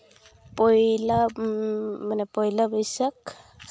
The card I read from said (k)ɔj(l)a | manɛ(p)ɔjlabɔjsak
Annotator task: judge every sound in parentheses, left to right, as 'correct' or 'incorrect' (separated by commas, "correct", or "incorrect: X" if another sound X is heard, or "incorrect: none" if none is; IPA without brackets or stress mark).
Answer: incorrect: p, correct, correct